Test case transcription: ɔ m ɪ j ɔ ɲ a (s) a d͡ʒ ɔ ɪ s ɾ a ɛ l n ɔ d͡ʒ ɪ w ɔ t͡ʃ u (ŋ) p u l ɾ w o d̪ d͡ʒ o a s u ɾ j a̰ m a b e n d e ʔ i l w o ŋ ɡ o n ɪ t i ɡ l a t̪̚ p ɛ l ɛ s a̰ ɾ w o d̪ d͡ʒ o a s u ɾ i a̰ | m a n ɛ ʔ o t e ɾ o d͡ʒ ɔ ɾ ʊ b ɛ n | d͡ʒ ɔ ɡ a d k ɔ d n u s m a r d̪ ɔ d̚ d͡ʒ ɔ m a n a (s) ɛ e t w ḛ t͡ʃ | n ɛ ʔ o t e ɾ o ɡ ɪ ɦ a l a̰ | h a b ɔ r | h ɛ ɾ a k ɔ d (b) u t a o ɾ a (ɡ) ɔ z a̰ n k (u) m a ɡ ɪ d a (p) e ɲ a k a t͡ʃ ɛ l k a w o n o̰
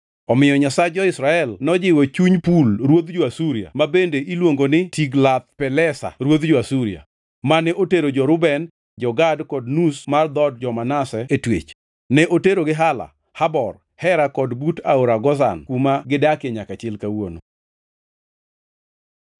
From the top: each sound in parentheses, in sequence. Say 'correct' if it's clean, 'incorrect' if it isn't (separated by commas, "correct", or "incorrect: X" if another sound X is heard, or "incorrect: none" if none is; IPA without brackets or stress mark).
correct, incorrect: ɲ, correct, correct, correct, correct, incorrect: k